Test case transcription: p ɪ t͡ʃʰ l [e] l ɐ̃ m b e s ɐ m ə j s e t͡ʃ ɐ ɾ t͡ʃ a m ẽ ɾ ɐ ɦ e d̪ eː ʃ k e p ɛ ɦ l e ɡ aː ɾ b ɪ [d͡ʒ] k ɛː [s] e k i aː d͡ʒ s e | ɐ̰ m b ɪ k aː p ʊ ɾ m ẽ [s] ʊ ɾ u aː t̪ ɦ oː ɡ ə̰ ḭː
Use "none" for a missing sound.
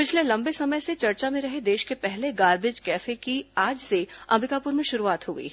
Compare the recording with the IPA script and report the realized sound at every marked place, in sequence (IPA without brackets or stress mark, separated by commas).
e, d͡ʒ, f, ʃ